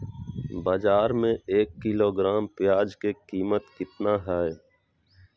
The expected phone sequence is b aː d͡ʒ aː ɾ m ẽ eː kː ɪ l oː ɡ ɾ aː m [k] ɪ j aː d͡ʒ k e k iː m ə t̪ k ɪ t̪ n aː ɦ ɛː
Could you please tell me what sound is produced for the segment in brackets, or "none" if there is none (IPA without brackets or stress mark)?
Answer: p